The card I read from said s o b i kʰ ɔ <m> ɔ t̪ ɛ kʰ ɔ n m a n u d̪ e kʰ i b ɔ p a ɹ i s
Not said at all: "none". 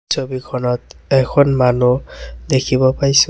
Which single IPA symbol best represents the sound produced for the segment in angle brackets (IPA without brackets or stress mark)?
n